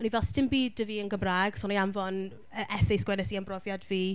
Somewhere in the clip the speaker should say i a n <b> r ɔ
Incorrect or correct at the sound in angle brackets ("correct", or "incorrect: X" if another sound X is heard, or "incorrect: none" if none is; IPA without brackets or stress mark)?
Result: correct